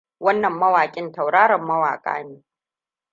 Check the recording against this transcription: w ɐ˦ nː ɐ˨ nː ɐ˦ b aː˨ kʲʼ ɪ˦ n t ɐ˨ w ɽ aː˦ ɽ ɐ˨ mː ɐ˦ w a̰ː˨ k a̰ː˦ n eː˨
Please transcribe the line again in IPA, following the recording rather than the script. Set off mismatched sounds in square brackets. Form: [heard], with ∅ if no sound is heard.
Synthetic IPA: w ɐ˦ nː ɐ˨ [mː] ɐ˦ [w] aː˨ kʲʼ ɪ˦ n t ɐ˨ w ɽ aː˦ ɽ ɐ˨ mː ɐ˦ w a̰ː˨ [kʼ] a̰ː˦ n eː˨